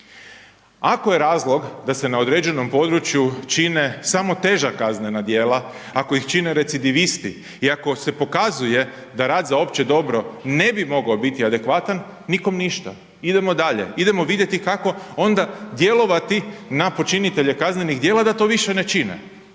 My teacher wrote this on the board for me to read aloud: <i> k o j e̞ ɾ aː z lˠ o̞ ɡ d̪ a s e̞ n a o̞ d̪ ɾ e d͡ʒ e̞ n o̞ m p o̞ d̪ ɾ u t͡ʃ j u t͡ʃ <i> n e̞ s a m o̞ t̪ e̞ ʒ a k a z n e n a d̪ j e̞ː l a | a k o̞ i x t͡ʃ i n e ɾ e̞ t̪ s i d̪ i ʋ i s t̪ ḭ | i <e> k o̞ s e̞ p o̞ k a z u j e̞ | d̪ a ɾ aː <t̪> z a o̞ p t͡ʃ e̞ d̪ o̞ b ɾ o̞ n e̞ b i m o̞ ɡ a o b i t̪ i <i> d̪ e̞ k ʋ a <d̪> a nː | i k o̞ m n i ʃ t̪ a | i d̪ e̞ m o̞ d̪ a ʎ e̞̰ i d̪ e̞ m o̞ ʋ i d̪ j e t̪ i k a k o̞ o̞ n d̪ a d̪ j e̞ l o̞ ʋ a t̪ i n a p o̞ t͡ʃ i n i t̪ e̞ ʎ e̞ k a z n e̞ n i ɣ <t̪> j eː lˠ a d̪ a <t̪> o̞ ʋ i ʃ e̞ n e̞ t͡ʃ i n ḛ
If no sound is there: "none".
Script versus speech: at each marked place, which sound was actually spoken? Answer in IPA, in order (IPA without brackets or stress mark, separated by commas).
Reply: a, i, a, d̪, a, t̪, d̪, t̪